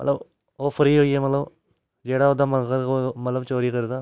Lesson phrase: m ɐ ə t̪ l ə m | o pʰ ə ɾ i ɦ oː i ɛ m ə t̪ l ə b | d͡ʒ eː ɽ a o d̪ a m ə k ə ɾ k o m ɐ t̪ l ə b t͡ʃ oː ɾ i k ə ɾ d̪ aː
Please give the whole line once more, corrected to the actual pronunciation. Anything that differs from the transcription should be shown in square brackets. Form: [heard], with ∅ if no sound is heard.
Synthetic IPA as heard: m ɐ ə t̪ l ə [b] | o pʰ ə ɾ i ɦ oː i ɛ m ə t̪ l ə b | d͡ʒ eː ɽ a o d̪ a m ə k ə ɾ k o m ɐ t̪ l ə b t͡ʃ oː ɾ i k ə ɾ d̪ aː